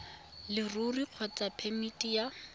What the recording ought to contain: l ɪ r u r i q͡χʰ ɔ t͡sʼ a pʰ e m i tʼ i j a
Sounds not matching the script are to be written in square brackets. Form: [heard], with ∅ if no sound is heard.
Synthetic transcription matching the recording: l ɪ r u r i q͡χʰ ɔ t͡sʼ a pʰ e m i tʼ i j a

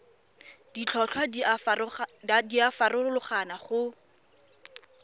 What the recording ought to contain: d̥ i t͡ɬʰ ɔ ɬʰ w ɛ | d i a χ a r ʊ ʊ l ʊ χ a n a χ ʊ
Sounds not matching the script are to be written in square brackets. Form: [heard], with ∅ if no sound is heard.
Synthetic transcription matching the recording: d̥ i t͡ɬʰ ɔ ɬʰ w [a] | d i a [f] a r ʊ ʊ l ʊ χ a n a χ ʊ

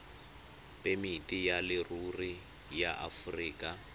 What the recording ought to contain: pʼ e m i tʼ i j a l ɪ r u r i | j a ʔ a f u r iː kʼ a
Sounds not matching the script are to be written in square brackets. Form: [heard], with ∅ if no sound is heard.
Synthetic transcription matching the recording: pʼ e m i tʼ i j a l ɪ r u r i | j a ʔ a f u r iː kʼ a

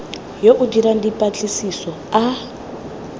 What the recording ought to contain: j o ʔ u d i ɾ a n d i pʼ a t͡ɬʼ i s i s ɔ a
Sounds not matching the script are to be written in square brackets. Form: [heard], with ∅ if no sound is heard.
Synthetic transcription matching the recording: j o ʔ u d i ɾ a n d i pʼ a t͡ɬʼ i s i s ɔ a

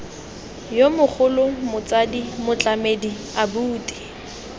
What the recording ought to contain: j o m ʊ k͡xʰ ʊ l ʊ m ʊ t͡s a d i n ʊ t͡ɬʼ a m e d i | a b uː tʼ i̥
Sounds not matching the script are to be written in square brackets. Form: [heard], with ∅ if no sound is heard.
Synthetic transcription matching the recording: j o m ʊ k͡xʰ ʊ l ʊ m ʊ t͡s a d i [m] ʊ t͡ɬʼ a m e d i | a b uː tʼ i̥

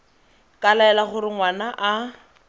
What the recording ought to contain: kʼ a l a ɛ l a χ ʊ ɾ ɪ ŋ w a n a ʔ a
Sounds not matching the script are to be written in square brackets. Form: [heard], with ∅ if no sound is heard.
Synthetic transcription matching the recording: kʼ a l a ɛ l a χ ʊ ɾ ɪ ŋ w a n a ʔ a

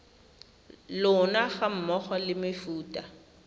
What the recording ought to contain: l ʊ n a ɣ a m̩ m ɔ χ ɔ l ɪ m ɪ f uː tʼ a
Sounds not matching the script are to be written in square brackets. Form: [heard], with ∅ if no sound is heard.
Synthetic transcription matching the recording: l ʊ n a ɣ a m̩ m ɔ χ ɔ l ɪ m ɪ f uː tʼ a

